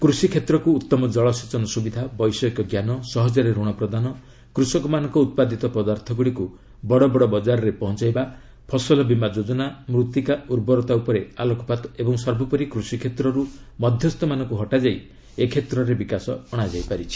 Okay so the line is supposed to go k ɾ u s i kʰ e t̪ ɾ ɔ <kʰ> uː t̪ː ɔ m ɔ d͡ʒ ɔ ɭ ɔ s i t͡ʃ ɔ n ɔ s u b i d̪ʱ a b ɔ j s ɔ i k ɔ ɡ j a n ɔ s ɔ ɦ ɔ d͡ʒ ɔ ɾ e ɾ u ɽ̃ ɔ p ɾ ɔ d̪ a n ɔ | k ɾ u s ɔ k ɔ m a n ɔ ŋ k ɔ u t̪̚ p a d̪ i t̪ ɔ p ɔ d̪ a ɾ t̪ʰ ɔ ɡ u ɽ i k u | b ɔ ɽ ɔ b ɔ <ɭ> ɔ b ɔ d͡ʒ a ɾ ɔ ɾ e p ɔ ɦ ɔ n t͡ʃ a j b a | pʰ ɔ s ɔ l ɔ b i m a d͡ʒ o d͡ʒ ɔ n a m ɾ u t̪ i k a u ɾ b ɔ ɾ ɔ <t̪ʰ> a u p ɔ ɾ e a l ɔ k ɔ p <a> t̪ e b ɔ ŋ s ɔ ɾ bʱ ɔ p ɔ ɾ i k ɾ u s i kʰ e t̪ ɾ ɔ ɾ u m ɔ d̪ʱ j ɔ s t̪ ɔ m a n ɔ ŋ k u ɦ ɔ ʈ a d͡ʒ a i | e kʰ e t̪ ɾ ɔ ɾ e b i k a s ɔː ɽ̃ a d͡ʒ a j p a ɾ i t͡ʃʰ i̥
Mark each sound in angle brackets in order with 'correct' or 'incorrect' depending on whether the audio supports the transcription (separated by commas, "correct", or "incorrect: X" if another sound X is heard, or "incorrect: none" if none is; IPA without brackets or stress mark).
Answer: incorrect: k, incorrect: ɽ, incorrect: t̪, correct